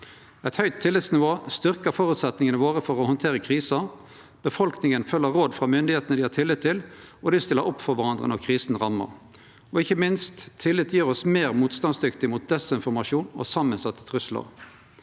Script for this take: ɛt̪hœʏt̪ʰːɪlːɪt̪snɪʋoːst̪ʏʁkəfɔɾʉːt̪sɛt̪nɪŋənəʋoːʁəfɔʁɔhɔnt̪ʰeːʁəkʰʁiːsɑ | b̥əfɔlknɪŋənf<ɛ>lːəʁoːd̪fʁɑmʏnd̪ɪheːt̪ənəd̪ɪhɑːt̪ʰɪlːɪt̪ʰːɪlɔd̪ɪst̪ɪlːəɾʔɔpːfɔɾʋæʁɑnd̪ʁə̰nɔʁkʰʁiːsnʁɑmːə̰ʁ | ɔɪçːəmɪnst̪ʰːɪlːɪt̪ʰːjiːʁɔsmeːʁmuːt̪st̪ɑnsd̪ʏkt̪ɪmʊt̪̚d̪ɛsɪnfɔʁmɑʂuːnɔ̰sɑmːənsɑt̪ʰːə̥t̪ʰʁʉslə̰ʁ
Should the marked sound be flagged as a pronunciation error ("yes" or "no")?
yes